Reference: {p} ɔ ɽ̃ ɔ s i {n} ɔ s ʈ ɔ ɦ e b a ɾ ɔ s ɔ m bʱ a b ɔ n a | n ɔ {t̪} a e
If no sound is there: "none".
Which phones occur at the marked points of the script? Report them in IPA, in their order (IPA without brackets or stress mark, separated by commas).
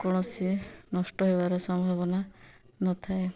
k, n, t̪ʰ